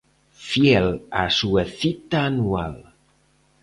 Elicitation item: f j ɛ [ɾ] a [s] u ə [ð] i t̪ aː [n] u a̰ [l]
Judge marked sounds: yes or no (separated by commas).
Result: no, yes, no, yes, yes